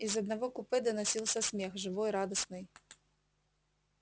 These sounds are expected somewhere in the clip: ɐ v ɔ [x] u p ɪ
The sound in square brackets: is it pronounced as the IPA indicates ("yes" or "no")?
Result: no